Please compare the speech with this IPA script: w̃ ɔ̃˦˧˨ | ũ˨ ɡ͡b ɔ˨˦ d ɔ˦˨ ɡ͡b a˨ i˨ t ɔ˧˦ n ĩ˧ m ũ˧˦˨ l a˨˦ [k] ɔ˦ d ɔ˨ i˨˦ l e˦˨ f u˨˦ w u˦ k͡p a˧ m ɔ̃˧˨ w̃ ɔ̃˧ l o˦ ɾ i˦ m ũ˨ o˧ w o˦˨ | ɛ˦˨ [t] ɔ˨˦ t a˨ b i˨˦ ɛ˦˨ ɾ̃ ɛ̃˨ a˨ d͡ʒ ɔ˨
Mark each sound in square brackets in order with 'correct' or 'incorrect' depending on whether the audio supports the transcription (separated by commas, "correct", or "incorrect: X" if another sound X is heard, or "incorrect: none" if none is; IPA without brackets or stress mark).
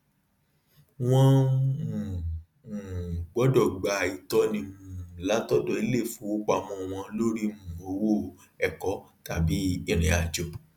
incorrect: t, incorrect: k